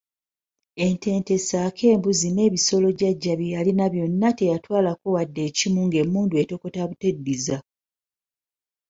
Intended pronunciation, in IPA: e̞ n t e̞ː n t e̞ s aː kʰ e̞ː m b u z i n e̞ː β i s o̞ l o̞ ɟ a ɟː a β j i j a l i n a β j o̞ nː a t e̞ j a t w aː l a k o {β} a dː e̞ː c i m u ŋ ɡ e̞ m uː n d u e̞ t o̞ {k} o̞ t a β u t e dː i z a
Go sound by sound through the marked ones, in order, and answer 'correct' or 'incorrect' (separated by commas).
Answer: incorrect, correct